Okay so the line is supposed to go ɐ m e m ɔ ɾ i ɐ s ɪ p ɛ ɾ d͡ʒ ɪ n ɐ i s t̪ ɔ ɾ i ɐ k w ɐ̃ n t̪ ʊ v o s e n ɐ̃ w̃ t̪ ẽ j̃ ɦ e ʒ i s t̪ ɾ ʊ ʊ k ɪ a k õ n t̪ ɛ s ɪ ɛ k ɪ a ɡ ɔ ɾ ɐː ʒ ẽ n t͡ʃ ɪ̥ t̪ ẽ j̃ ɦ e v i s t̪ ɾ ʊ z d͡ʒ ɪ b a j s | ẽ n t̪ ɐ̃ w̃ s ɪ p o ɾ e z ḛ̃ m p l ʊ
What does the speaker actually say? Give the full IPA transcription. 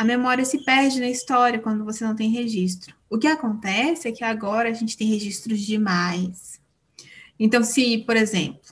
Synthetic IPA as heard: ɐ m e m ɔ ɾ i ɐ s ɪ p ɛ ɾ d͡ʒ ɪ n ɐ i s t̪ ɔ ɾ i ɐ k w ɐ̃ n d̪ ʊ v o s e n ɐ̃ w̃ t̪ ẽ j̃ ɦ e ʒ i s t̪ ɾ ʊ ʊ k ɪ a k õ n t̪ ɛ s ɪ ɛ k ɪ a ɡ ɔ ɾ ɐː ʒ ẽ n t͡ʃ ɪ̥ t̪ ẽ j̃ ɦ e ʒ i s t̪ ɾ ʊ z d͡ʒ ɪ m a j s | ẽ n t̪ ɐ̃ w̃ s ɪ p o ɾ e z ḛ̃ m p l ʊ